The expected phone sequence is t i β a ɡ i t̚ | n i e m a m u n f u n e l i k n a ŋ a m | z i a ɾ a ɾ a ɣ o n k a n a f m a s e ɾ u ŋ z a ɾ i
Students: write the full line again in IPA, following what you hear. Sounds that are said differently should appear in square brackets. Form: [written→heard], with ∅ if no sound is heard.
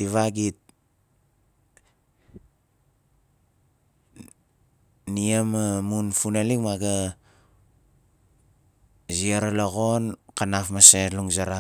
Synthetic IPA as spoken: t i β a ɡ i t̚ | n i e m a m u n f u n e l i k [n→m] a [ŋ→ɡ] a [m→∅] | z i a ɾ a [ɾ→l] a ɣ o n k a n a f m a s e [ɾ→l] u ŋ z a ɾ [i→a]